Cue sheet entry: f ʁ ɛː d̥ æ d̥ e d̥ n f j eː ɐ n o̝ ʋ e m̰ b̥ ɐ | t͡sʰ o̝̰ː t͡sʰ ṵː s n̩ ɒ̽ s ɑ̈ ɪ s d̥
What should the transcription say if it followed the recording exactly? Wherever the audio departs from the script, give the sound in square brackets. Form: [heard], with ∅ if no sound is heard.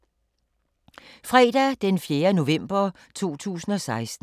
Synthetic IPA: f ʁ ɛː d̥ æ d̥ e [∅] n f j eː ɐ n o̝ ʋ e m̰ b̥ ɐ | t͡sʰ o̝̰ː t͡sʰ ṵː s n̩ ɒ̽ s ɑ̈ ɪ s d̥